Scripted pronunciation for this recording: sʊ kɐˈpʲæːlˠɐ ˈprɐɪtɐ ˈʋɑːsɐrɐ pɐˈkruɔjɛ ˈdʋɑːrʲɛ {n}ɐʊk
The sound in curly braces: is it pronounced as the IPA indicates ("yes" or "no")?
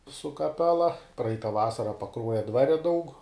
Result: no